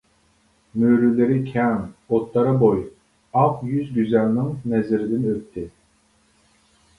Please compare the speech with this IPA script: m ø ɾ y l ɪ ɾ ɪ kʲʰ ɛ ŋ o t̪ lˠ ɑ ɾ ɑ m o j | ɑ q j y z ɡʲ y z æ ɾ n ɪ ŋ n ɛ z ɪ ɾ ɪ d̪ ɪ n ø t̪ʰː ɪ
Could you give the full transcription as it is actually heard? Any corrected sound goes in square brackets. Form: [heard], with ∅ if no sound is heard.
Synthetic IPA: m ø ɾ y l ɪ ɾ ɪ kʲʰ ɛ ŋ o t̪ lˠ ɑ ɾ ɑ [b] o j | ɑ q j y z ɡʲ y z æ [l] n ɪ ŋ n ɛ z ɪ ɾ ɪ d̪ ɪ n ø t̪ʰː ɪ